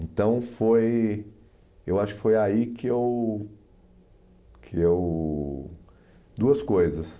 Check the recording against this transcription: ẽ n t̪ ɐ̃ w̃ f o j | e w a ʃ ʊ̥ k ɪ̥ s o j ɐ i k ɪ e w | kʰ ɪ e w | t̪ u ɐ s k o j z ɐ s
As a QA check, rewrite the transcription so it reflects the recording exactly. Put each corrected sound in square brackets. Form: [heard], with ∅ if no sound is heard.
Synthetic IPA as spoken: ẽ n t̪ ɐ̃ w̃ f o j | e w a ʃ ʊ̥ k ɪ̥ [f] o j [a] i k ɪ e w | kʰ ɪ e w | [d̪] u ɐ s k o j z ɐ s